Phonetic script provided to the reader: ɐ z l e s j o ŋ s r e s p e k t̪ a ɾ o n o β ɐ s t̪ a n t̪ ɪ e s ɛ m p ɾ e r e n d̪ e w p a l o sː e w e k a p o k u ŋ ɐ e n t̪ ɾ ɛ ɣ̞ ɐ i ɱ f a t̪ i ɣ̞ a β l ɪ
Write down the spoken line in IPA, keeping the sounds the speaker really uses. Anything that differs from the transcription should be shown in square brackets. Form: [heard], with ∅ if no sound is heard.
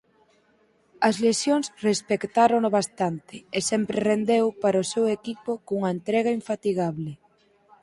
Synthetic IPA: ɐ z l e s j o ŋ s r e s p e k t̪ a ɾ o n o β [a] s t̪ a n t̪ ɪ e s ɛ m p ɾ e r e n d̪ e w p a [ɾ] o [s] e w e k [i] p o k u ŋ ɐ e n t̪ ɾ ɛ ɣ̞ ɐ i ɱ f a t̪ i ɣ̞ a β l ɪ

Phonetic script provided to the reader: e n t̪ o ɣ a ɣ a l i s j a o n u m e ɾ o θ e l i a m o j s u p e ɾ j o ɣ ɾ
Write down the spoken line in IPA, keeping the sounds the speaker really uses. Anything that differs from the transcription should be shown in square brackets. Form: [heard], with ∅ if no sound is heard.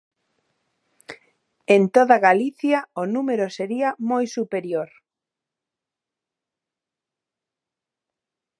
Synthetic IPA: e n t̪ o [ð] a ɣ a l i [θ] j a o n u m e ɾ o [s] e [ɾ] i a m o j s u p e ɾ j o [∅] ɾ

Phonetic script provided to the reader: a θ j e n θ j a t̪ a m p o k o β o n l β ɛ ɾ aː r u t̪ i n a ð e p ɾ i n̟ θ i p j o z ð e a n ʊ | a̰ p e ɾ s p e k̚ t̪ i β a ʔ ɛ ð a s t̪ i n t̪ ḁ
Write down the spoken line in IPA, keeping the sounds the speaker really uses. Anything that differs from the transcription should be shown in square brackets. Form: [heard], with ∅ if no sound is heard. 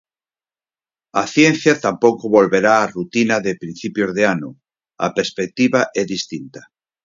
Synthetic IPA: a θ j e n θ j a t̪ a m p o k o β o [∅] l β [e] ɾ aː r u t̪ i n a ð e p ɾ i n̟ θ i p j o z ð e a n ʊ | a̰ p e ɾ s p e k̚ t̪ i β a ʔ ɛ ð [i] s t̪ i n t̪ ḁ

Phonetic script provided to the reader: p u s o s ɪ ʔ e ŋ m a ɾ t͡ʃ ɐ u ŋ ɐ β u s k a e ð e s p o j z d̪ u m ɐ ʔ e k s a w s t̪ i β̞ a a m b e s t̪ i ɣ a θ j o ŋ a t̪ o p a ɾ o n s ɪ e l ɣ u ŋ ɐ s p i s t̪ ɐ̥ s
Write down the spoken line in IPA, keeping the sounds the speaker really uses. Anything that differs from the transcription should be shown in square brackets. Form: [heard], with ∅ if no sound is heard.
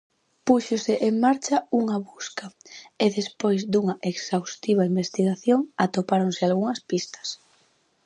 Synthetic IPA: p u [ʃ] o s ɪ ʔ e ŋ m a ɾ t͡ʃ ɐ u ŋ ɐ β u s k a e ð e s p o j z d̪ u [ŋ] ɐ ʔ e k s a w s t̪ i β̞ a [i] m b e s t̪ i ɣ a θ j o ŋ a t̪ o p a ɾ o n s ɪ [a] l ɣ u ŋ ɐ s p i s t̪ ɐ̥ s

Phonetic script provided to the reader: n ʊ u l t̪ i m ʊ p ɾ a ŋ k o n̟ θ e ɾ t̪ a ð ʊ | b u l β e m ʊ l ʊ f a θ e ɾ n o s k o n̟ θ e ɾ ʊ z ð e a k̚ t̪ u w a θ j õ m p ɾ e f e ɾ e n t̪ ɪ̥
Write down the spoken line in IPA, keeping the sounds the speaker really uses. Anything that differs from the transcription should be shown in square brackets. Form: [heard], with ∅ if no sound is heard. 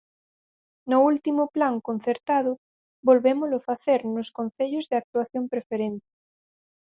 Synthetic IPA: n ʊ u l t̪ i m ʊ p [l] a ŋ k o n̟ θ e ɾ t̪ a ð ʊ | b [o] l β e m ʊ l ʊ f a θ e ɾ n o s k o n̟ θ e [ʎ] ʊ z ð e a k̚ t̪ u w a θ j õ m p ɾ e f e ɾ e n t̪ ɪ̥

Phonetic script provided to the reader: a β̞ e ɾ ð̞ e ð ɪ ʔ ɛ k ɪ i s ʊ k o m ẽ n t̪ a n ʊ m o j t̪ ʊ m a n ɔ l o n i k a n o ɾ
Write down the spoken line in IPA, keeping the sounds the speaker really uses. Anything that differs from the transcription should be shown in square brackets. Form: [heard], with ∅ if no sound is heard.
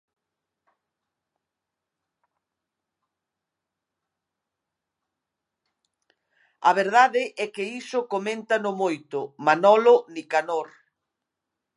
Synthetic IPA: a β̞ e ɾ ð̞ [a] ð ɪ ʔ ɛ k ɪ i s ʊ k o m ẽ n t̪ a n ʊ m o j t̪ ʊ m a n ɔ l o n i k a n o ɾ

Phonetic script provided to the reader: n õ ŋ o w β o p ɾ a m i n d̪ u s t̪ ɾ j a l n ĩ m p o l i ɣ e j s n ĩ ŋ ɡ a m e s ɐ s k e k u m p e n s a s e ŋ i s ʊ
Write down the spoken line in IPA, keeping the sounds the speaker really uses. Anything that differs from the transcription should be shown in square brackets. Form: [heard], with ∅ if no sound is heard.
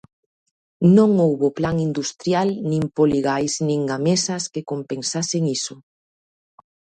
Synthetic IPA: n õ ŋ o w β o p [l] a [ŋ] i n d̪ u s t̪ ɾ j a l n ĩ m p o l i ɣ [a] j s n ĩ ŋ ɡ a m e s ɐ s k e k [o] m p e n s a s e ŋ i s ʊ

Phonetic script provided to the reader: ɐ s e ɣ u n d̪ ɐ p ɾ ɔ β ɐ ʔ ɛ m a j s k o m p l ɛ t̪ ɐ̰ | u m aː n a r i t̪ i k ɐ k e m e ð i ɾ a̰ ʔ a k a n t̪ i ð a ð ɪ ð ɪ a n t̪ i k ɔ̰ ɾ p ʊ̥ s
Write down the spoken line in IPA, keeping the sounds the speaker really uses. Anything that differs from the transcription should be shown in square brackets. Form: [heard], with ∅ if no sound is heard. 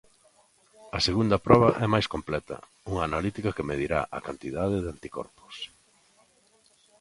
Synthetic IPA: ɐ s e ɣ u n d̪ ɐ p ɾ ɔ β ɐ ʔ ɛ m a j s k o m p l ɛ t̪ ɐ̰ | u [ŋ] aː n a [l] i t̪ i k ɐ k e m e ð i ɾ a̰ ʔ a k a n t̪ i ð a ð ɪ ð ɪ a n t̪ i k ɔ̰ ɾ p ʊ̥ s

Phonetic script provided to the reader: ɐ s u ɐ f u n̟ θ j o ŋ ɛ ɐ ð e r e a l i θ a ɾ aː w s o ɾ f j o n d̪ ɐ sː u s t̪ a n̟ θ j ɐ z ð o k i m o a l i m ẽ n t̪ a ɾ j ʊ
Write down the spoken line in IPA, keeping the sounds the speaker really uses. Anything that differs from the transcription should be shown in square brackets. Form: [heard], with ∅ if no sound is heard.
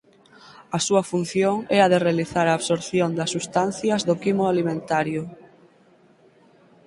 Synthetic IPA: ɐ s u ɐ f u n̟ θ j o ŋ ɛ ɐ ð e r e a l i θ a ɾ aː [β] s o ɾ [θ] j o n d̪ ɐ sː u s t̪ a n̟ θ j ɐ z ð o k i m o a l i m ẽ n t̪ a ɾ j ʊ

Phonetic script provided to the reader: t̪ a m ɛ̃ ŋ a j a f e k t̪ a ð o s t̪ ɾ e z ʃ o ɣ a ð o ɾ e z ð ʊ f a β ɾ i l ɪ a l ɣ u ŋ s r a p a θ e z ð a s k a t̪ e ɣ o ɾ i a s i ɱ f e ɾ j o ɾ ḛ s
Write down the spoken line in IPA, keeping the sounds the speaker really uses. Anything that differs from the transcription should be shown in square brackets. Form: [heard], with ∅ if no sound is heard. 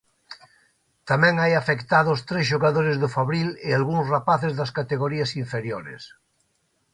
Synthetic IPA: t̪ a m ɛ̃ ŋ a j a f e k t̪ a ð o s t̪ ɾ e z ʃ o ɣ a ð o ɾ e z ð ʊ f a β ɾ i l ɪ a l ɣ u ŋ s r a p a θ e z ð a s k a t̪ e ɣ o ɾ i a s i ɱ f e ɾ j o ɾ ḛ s

